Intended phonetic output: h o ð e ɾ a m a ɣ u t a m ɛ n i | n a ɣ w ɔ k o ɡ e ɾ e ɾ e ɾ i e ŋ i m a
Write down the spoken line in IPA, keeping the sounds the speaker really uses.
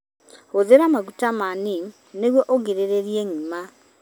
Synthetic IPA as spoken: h o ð e ɾ a m a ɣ u t a m a n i | n e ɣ w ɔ ʔ o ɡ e ɾ e ɾ e ɾ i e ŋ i m a